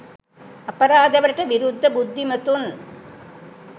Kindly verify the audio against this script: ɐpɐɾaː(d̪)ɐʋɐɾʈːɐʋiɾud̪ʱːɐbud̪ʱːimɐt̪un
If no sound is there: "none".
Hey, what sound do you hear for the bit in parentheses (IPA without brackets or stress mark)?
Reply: d̪